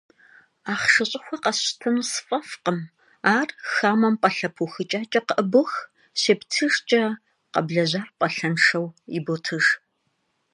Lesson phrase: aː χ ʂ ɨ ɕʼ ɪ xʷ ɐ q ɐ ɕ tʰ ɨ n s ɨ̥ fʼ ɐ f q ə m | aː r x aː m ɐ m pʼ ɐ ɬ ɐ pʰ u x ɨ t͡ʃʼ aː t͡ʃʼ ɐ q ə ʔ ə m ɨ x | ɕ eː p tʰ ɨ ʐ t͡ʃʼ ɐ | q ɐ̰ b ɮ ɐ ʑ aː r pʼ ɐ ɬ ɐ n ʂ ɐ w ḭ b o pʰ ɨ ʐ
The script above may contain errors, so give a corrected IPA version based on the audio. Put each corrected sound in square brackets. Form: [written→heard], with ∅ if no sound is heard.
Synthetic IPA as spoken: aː χ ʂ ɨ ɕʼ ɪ xʷ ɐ q ɐ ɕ tʰ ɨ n s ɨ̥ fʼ ɐ f q ə m | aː r x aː m ɐ m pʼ ɐ ɬ ɐ pʰ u x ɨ t͡ʃʼ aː t͡ʃʼ ɐ q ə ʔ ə [m→b] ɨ x | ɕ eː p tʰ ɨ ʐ t͡ʃʼ ɐ | q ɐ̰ b ɮ ɐ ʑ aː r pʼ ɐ ɬ ɐ n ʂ ɐ w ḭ b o [pʰ→tʰ] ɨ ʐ